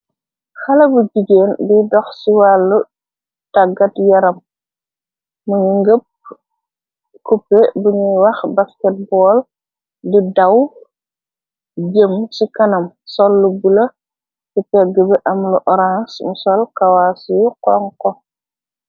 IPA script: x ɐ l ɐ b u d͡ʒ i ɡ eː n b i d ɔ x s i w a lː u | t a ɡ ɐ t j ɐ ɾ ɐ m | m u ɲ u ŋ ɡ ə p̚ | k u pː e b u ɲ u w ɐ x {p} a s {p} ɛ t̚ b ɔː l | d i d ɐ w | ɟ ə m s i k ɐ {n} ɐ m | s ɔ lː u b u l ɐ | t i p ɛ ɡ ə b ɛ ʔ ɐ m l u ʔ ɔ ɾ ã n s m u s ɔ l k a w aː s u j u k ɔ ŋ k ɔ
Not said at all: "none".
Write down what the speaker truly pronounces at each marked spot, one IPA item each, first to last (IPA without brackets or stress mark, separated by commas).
b, k, n